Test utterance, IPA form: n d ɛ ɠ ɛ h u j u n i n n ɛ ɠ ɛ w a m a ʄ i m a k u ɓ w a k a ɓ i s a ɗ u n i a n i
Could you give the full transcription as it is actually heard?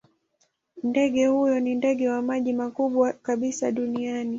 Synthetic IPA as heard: n d ɛ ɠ ɛ h u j ɔ n i n d ɛ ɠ ɛ w a m a ʄ i m a k u ɓ w a k a ɓ i s a ɗ u n i a n i